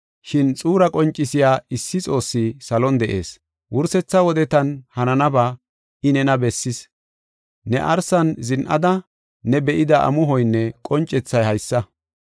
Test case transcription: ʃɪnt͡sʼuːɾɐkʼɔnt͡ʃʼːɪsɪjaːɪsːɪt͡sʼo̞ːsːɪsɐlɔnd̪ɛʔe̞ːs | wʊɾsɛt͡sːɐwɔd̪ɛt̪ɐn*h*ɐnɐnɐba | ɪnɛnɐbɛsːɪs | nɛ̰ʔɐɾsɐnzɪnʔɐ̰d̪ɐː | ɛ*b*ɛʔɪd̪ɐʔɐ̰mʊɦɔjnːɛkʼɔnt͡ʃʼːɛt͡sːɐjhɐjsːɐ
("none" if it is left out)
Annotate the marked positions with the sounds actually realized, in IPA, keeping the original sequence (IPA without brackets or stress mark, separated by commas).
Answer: h, b